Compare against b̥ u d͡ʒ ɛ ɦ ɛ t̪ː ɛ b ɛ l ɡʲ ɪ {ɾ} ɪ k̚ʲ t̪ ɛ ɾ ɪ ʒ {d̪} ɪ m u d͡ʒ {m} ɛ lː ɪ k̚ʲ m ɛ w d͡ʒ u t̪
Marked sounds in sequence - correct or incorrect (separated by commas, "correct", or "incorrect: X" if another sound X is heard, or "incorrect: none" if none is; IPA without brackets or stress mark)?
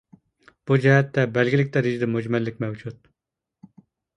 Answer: incorrect: l, correct, correct